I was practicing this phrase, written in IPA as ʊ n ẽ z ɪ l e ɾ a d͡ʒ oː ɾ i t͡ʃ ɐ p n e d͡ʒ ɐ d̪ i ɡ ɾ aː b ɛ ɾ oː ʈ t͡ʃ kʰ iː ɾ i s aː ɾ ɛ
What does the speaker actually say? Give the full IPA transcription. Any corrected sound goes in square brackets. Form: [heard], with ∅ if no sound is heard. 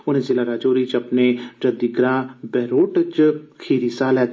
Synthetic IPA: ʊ n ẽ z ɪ l [a] ɾ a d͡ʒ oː ɾ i t͡ʃ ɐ p n e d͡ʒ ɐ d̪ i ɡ ɾ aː b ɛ ɾ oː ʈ t͡ʃ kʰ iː ɾ i s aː [l] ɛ